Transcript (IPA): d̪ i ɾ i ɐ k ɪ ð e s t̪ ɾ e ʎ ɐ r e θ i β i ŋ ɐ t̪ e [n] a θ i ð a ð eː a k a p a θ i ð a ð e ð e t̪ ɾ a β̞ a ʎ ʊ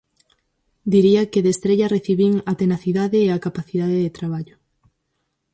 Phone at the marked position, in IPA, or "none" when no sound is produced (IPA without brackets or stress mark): n